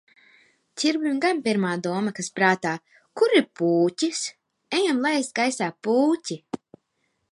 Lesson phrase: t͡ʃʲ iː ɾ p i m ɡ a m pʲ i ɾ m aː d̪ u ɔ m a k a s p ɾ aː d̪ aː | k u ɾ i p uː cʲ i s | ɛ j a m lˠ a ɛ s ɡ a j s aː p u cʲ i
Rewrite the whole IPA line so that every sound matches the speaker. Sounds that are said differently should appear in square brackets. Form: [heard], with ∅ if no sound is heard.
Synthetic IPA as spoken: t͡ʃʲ [i] ɾ [b] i m ɡ a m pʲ i ɾ m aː d̪ u ɔ m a k a s p ɾ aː [t̪] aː | k u ɾ i p uː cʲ i s | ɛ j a m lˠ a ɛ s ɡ a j s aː p [uː] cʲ i